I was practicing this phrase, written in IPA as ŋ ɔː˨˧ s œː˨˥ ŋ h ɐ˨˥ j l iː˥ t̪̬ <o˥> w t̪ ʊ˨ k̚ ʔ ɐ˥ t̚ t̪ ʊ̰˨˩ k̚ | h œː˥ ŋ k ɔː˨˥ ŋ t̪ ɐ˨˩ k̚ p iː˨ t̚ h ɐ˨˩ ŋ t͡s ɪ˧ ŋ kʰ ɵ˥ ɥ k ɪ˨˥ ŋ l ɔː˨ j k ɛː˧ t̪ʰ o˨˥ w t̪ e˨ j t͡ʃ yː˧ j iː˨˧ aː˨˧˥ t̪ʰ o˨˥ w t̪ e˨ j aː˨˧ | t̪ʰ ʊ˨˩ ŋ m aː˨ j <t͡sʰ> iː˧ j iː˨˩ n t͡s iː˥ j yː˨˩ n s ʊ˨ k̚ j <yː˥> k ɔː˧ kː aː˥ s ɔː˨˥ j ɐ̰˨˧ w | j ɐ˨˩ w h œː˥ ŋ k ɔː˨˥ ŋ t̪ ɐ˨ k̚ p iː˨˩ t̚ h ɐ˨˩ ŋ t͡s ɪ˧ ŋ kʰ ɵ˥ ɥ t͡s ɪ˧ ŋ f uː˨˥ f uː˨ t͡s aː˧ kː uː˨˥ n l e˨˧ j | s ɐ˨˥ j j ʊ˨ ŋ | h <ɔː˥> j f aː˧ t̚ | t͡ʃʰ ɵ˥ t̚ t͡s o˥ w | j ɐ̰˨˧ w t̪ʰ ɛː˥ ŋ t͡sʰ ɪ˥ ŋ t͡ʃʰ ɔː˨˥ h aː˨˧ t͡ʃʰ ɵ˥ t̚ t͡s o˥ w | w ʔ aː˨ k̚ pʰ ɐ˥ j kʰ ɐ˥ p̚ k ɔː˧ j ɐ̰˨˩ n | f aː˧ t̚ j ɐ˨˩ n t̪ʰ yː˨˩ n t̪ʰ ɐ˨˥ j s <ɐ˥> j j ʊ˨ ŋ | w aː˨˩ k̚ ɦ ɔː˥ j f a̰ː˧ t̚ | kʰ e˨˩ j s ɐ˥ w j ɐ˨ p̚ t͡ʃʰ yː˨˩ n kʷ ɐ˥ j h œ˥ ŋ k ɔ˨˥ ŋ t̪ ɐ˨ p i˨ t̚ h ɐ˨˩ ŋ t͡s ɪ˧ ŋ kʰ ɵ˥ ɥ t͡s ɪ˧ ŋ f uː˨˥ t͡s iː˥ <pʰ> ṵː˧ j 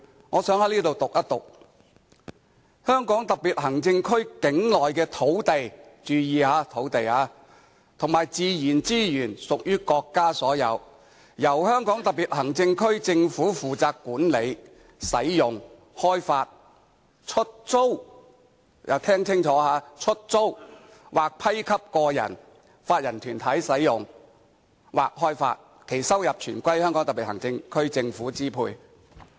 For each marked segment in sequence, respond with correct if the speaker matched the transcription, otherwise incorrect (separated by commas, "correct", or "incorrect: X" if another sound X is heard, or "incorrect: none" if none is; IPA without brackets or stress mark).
incorrect: o˨, incorrect: t͡s, correct, correct, incorrect: ɐ˨˥, correct